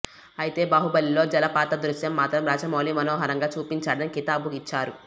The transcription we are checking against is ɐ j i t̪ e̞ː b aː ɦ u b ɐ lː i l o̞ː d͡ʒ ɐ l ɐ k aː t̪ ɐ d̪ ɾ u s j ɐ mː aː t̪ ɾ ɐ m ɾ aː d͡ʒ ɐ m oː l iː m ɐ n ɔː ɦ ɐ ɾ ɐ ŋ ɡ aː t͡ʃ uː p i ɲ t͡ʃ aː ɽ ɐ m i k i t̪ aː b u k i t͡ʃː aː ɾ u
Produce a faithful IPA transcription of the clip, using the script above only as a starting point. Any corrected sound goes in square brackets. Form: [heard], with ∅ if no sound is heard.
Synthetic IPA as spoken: ɐ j i t̪ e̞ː b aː ɦ u b ɐ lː i l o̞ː d͡ʒ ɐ l ɐ [p] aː t̪ ɐ d̪ ɾ u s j ɐ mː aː t̪ ɾ ɐ m ɾ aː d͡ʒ ɐ m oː l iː m ɐ n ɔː ɦ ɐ ɾ ɐ ŋ ɡ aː t͡ʃ uː p i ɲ t͡ʃ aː ɽ ɐ [n] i k i t̪ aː b u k i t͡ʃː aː ɾ u